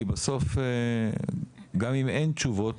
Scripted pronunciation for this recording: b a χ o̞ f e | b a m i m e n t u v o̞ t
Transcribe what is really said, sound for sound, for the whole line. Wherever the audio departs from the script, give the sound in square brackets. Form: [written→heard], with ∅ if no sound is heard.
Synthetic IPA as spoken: b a [χ→s] o̞ f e | [b→ɡ] a m i m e n [t→t͡ʃ] u v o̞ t